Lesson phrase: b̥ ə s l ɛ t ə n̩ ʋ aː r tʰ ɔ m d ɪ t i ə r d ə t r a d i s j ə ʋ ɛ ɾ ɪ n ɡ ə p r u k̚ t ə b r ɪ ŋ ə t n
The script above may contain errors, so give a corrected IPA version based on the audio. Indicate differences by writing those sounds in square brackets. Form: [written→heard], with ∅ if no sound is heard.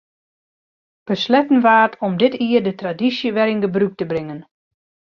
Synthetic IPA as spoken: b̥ ə s l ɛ t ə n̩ ʋ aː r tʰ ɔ m d ɪ t i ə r d ə t r a d i s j ə ʋ ɛ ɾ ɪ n ɡ ə [p→b] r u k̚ t ə b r ɪ ŋ ə [t→∅] n